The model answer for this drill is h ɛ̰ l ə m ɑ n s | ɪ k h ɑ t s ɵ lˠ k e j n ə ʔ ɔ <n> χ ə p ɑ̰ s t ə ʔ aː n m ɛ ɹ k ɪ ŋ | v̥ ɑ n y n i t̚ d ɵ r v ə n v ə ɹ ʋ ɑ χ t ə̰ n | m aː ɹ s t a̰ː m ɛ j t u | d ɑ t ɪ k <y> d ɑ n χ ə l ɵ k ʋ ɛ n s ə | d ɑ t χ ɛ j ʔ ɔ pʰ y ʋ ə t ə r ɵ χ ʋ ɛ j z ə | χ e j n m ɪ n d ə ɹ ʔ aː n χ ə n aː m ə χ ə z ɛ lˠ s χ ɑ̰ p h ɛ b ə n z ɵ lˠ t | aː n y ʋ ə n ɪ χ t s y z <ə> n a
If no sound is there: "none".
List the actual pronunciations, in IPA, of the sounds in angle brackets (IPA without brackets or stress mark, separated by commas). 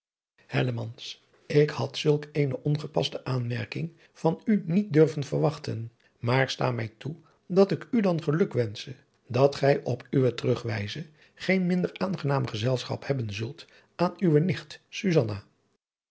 n, y, ɑ